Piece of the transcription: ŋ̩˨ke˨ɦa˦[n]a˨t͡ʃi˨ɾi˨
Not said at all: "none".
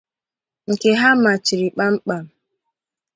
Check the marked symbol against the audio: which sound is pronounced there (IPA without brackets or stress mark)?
m